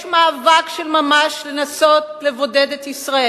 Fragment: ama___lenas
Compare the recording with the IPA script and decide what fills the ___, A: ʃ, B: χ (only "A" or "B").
A